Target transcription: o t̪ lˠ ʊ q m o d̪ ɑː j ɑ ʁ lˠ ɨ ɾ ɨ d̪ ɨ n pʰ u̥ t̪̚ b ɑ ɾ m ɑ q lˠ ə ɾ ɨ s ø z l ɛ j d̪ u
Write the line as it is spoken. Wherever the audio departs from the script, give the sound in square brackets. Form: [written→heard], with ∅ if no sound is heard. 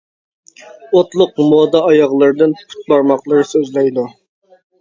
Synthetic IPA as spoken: o t̪ lˠ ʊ q m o d̪ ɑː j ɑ ʁ lˠ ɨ ɾ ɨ d̪ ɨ n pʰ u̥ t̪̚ b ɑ ɾ m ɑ q lˠ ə ɾ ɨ s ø z l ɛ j d̪ u